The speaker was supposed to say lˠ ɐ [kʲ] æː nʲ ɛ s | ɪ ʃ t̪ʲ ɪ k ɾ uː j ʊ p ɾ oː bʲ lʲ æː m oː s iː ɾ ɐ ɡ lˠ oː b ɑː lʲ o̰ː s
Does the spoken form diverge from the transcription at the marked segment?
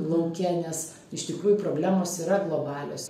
no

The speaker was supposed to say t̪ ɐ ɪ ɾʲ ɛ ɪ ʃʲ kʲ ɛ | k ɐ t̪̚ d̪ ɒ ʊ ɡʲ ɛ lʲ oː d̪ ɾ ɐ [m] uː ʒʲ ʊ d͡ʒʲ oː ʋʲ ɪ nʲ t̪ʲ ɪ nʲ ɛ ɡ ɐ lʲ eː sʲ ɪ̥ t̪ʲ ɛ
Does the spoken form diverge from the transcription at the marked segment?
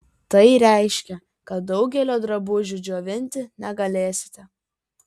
yes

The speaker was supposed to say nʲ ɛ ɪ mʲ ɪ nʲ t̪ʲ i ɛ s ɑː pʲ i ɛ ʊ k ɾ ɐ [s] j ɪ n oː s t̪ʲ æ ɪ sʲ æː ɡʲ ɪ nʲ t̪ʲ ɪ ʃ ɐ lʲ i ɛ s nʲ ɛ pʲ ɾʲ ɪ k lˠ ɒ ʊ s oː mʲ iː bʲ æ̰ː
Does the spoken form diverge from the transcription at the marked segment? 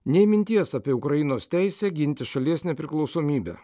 yes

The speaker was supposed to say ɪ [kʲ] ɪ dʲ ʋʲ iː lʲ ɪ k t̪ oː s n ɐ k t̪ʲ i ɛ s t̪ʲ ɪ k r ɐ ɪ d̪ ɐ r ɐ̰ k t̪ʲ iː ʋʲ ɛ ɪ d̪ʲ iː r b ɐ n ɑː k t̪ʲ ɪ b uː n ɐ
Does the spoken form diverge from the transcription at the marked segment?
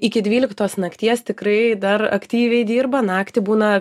no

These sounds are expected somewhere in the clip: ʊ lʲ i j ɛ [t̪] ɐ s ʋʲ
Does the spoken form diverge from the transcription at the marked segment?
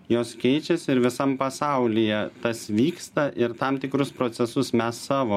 no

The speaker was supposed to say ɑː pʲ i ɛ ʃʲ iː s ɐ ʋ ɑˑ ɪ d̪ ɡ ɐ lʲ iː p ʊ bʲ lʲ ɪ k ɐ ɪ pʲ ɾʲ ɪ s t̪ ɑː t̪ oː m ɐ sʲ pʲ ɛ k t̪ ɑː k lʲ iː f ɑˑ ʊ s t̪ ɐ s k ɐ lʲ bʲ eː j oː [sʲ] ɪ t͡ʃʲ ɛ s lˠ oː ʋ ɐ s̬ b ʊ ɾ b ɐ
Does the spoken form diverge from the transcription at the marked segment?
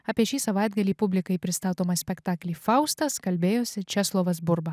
no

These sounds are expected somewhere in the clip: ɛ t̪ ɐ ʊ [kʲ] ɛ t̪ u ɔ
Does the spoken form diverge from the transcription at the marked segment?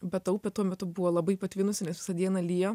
yes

